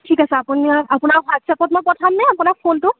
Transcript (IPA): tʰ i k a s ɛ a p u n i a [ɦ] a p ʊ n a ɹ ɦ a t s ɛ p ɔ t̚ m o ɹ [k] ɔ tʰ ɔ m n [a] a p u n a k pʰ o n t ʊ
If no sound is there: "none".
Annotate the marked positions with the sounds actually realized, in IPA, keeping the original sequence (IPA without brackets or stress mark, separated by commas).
none, p, ɛ